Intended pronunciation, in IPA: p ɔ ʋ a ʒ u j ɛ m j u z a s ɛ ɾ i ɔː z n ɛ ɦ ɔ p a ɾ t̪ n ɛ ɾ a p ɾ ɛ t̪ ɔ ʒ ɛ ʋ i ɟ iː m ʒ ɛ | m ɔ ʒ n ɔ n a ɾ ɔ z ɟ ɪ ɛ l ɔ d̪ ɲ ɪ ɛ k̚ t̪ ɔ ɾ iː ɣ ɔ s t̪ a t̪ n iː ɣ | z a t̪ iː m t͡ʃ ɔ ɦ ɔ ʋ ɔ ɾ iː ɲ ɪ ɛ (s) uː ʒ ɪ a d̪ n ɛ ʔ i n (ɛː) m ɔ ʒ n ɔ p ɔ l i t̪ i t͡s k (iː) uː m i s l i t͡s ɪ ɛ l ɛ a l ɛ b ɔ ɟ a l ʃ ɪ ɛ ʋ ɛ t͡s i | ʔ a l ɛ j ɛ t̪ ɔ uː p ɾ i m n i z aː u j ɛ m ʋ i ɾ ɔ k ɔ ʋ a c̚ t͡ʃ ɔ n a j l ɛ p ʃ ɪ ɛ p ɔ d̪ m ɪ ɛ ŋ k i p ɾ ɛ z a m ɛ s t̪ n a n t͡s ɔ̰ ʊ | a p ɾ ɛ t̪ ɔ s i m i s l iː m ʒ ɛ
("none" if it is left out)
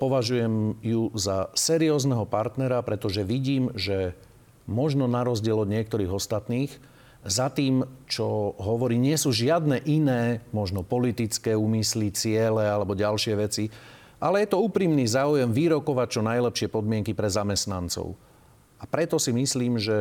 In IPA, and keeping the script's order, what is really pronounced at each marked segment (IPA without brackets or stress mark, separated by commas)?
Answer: s, ɛː, ɛː